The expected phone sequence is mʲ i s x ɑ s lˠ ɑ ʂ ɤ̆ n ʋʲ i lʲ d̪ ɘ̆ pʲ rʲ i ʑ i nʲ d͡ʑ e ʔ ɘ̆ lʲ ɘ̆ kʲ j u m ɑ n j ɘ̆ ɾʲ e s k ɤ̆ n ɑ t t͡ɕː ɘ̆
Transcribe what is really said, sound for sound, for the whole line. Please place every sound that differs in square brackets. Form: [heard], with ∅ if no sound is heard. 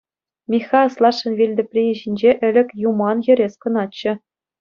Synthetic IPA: mʲ i [∅] x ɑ s lˠ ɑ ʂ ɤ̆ n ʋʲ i lʲ d̪ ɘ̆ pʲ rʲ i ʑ i nʲ d͡ʑ e ʔ ɘ̆ lʲ ɘ̆ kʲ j u m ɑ n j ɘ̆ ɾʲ e s k ɤ̆ n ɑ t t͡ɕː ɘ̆